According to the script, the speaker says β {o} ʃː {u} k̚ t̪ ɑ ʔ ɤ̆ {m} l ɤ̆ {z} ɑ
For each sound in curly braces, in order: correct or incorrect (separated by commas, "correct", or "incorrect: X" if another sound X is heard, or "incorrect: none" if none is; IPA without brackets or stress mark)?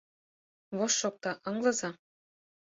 correct, incorrect: o, incorrect: ŋ, correct